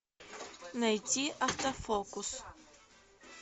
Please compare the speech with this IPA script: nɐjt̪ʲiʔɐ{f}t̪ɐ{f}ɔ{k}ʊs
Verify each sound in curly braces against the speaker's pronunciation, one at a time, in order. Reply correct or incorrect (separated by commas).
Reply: correct, correct, correct